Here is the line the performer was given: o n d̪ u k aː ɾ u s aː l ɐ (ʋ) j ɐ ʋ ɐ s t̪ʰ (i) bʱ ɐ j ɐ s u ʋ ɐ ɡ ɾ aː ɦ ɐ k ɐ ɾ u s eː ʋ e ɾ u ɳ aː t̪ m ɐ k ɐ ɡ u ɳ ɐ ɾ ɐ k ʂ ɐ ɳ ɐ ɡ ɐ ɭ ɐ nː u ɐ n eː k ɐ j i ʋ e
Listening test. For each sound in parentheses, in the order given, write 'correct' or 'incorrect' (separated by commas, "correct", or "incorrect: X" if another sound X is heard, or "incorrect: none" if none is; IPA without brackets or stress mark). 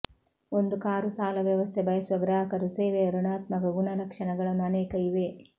correct, incorrect: e